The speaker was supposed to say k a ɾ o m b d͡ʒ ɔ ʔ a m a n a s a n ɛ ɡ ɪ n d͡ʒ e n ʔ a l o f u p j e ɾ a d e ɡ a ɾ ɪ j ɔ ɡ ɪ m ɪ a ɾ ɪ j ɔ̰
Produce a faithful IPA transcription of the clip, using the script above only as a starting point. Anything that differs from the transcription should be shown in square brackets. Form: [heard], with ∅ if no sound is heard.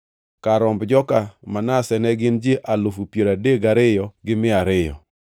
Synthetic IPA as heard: k a ɾ [ɔ] m b d͡ʒ ɔ [k] a m a n a s [ɛ] n ɛ ɡ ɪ n d͡ʒ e [∅] ʔ a l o f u p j e ɾ a d e ɡ a ɾ ɪ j ɔ ɡ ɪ m ɪ a ɾ ɪ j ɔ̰